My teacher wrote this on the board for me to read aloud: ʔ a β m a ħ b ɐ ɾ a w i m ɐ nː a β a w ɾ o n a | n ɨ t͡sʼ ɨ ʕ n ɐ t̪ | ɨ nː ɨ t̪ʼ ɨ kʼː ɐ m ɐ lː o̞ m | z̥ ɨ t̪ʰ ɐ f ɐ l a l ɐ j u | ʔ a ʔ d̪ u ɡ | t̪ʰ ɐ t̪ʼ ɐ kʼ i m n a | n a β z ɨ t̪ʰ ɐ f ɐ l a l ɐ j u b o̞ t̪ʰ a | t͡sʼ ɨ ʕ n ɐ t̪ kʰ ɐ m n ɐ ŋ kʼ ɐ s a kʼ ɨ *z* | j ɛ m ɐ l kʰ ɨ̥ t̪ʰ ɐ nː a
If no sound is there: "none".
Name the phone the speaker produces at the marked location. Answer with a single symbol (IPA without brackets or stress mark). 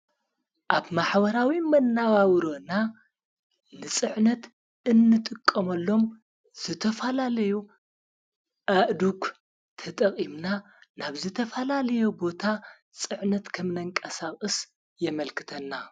s